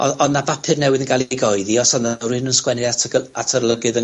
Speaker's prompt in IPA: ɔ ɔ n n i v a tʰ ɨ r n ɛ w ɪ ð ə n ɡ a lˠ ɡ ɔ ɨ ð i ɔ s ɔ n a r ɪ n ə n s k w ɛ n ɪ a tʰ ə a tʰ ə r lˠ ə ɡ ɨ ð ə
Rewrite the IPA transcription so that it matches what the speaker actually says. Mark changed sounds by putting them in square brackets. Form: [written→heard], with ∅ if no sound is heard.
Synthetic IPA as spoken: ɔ ɔ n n [i→a] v a [tʰ→pʰ] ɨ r n ɛ w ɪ ð ə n ɡ a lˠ ɡ ɔ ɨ ð i ɔ s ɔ n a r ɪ n ə n s k w ɛ n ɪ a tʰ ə a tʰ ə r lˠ ə ɡ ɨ ð ə